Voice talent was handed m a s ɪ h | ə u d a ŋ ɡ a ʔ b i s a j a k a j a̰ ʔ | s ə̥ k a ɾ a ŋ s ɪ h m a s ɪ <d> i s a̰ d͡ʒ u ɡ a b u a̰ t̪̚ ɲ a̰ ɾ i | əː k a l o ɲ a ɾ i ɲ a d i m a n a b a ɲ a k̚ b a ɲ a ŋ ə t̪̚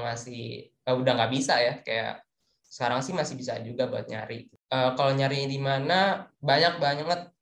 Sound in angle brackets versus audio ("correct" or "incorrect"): incorrect